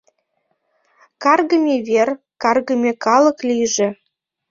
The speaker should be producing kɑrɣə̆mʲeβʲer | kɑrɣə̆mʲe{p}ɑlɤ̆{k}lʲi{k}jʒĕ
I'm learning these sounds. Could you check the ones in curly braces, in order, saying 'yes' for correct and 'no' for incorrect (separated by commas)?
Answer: no, yes, no